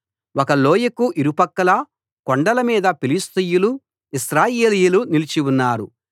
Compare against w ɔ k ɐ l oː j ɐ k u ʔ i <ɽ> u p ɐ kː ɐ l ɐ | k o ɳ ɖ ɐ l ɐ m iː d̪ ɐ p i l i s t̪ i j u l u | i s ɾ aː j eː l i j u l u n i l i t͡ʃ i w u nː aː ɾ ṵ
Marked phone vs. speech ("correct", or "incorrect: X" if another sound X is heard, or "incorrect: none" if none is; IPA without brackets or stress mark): incorrect: ɾ